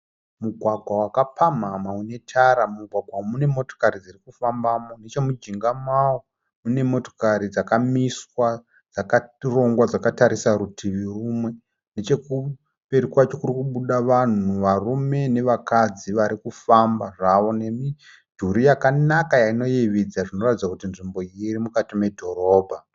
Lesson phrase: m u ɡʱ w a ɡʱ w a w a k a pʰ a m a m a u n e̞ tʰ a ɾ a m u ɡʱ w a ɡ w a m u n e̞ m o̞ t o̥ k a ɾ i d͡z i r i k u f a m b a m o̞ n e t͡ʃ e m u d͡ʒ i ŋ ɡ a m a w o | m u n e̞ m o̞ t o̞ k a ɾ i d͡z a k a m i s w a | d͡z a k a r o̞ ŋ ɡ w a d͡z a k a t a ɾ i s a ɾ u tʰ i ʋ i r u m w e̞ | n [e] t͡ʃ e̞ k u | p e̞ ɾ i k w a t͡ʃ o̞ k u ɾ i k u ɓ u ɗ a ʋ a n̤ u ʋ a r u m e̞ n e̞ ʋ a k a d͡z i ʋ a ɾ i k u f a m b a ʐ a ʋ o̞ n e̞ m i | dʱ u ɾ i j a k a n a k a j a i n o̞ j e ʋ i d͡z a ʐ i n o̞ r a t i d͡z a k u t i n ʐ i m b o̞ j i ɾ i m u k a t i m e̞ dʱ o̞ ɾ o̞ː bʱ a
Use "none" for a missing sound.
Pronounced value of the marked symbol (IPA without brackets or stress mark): e